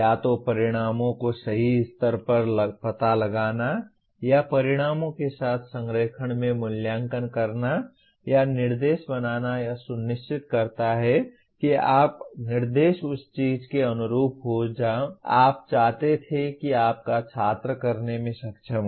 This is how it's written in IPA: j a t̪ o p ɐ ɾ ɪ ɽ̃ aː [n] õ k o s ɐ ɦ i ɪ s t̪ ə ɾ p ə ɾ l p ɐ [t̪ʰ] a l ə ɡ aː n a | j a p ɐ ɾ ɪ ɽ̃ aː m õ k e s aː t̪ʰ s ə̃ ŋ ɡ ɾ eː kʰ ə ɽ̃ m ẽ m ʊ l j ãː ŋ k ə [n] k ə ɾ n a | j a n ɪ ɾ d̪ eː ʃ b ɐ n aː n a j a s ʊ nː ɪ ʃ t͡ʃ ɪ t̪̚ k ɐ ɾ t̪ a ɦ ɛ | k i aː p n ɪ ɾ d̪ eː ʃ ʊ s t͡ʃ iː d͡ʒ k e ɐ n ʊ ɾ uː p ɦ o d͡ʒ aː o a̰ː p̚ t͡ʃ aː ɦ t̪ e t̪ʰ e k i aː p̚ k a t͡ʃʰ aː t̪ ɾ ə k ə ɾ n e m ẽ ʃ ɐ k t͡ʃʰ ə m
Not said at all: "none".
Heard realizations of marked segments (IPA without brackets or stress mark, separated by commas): m, t̪, n